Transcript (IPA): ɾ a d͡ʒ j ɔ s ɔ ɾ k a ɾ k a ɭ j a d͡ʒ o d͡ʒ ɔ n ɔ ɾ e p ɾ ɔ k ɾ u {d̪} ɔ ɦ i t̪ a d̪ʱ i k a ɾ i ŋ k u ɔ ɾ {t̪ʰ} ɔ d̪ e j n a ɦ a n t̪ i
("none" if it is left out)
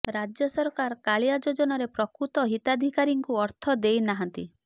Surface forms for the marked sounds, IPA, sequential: t̪, t̪ʰ

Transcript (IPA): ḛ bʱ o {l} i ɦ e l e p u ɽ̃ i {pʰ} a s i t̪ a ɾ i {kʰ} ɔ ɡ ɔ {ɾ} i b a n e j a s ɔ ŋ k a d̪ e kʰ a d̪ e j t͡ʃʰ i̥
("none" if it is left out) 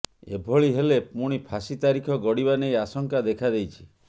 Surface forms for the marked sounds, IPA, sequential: ɭ, pʰ, kʰ, ɽ

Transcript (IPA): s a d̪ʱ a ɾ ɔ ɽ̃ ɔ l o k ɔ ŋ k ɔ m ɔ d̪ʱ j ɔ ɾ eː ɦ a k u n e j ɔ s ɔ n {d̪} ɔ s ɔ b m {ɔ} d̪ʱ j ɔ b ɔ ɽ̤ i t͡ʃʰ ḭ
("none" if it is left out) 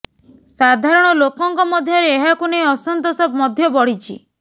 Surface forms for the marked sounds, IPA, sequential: t̪, ɔ

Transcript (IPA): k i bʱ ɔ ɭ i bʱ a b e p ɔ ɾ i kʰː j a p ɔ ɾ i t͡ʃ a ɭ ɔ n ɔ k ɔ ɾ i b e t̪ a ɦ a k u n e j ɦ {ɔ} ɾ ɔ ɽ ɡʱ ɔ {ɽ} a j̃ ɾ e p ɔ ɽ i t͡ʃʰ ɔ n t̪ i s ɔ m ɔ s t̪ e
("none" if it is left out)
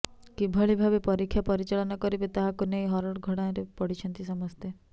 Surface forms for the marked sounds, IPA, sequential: ɔ, ɽ

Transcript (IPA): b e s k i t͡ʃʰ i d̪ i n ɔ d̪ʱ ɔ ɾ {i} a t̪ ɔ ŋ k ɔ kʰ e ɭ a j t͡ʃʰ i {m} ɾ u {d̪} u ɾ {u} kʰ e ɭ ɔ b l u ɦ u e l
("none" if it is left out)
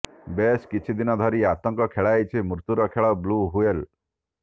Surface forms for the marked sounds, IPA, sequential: i, m, t̪, ɔ

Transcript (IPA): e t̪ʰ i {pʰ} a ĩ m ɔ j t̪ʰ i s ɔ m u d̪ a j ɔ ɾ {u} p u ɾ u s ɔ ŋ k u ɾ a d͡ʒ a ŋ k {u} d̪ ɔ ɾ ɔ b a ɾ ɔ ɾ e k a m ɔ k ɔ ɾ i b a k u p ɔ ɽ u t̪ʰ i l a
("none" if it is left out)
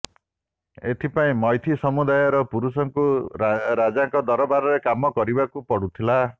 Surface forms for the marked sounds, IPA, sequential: p, ɔ, ɔ

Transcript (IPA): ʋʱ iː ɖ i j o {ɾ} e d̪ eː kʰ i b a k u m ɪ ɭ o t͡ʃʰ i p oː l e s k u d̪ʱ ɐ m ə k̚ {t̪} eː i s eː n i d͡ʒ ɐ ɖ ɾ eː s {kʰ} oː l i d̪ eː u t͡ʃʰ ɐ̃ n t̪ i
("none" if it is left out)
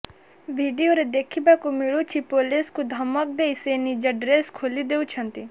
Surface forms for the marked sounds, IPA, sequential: ɾ, d̪, kʰ

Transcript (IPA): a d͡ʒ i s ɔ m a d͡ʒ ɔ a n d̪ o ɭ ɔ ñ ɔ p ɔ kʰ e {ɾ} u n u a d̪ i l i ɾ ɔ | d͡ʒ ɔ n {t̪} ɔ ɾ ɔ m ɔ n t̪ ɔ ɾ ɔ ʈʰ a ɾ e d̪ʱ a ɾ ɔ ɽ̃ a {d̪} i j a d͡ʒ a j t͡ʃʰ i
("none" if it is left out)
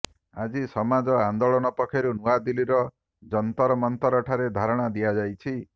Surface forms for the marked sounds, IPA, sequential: ɾ, t̪, d̪

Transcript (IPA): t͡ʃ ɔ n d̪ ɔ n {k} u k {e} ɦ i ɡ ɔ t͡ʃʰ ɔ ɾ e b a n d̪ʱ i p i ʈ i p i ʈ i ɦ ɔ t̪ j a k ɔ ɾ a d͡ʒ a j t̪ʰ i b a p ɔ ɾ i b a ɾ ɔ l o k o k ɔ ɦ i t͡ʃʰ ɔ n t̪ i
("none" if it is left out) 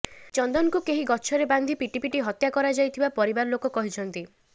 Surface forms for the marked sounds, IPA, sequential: k, e

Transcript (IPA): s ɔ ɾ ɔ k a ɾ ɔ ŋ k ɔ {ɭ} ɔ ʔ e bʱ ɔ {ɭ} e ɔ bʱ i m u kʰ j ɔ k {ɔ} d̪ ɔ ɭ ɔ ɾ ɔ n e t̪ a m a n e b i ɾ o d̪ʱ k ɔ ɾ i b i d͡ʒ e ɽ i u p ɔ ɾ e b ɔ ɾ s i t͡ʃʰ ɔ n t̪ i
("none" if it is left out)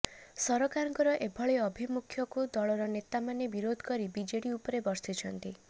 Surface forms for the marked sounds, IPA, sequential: ɾ, ɭ, u

